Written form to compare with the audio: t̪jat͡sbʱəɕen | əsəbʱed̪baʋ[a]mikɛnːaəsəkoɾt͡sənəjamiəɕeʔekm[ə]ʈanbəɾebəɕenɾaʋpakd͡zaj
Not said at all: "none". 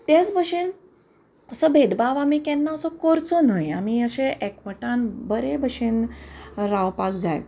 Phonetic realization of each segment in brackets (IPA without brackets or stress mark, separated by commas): a, ə